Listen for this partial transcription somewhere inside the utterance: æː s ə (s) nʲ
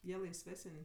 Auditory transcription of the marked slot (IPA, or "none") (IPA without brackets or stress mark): none